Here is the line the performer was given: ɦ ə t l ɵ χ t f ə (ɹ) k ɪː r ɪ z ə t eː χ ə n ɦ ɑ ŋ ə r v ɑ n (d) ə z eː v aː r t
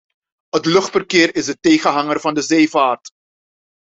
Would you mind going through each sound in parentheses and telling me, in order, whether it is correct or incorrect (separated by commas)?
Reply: incorrect, correct